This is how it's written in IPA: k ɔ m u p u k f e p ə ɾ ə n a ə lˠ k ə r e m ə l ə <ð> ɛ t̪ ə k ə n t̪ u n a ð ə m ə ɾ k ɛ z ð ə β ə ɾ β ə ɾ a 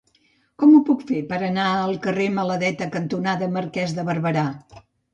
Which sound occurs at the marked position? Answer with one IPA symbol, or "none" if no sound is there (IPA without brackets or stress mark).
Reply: ð